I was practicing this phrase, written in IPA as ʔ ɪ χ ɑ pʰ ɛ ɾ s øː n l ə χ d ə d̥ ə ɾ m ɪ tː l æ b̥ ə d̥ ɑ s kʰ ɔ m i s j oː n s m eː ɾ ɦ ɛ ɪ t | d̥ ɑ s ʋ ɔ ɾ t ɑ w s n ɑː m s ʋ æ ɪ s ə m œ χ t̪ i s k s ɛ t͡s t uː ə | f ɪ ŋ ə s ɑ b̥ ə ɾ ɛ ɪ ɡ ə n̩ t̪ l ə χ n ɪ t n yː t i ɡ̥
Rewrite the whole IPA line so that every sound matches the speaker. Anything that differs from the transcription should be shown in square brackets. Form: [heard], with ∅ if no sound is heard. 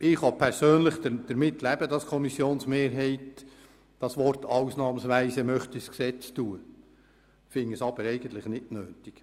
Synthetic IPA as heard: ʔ ɪ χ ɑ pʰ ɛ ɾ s øː n l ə χ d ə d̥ ə ɾ m ɪ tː l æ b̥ ə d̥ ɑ s kʰ ɔ m i s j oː n s m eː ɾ ɦ ɛ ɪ t | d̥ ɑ s ʋ ɔ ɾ t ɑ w s n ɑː m s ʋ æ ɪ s ə m œ χ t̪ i s k s ɛ t͡s t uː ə | f ɪ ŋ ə s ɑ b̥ ə ɾ ɛ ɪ ɡ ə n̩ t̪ l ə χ n ɪ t n [øː] t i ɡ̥